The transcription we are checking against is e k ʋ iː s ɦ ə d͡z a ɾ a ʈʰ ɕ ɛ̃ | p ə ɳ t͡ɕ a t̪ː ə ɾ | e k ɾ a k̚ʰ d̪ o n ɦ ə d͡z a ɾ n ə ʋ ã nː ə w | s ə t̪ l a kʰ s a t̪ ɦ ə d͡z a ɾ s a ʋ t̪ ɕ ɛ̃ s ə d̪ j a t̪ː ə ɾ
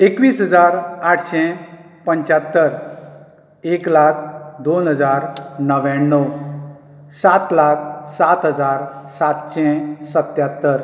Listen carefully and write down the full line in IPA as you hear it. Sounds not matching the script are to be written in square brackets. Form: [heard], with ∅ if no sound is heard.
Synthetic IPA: e k ʋ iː s ɦ ə d͡z a ɾ a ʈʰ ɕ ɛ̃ | p ə [ɲ] t͡ɕ a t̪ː ə ɾ | e k [l] a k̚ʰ d̪ o n ɦ ə d͡z a ɾ n ə ʋ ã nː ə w | s [a] t̪ l a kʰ s a t̪ ɦ ə d͡z a ɾ s a [∅] t̪ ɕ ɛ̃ s ə [t̪] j a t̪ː ə ɾ

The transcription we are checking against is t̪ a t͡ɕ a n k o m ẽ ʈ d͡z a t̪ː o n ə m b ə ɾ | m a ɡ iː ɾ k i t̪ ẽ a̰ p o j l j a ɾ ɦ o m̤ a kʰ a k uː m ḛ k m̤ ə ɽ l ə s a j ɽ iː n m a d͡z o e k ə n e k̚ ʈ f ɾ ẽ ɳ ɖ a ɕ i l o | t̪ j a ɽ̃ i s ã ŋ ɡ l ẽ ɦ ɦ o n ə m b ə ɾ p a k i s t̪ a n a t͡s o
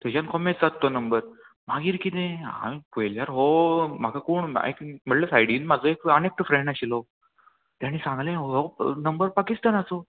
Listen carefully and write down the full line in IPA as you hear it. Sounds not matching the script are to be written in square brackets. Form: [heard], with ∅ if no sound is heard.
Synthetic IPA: t̪ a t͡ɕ a n k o m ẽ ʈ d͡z a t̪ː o n ə m b ə ɾ | m a ɡ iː ɾ k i t̪ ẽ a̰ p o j l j a ɾ ɦ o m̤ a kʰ a k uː [ɳ] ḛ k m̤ ə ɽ l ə s a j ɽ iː n m a d͡z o e k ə n e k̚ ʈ f ɾ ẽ ɳ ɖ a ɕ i l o | t̪ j a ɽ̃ i s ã ŋ ɡ l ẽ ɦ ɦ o n ə m b ə ɾ p a k i s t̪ a n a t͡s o

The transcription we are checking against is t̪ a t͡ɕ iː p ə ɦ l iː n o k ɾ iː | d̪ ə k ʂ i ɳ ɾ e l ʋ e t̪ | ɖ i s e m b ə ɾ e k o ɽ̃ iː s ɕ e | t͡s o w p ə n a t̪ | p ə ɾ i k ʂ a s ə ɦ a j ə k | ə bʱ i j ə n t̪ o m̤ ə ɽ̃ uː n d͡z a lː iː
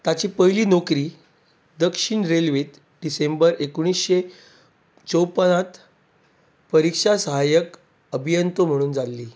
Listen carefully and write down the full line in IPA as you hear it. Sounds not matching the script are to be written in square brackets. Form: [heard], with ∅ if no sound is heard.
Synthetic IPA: t̪ a t͡ɕ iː p ə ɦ l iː n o k ɾ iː | d̪ ə k ʂ i ɳ ɾ e l ʋ e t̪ | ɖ i s e m b ə ɾ e k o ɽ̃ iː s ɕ e | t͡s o w p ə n a t̪ | p ə ɾ i k ʂ a s ə ɦ a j ə k | ə bʱ i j ə n t̪ o m̤ ə ɽ̃ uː n d͡z a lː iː

